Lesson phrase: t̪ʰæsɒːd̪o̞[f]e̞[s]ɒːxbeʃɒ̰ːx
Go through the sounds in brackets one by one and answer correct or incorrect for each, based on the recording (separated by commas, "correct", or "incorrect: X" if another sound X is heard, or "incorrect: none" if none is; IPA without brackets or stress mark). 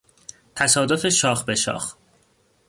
correct, incorrect: ʃ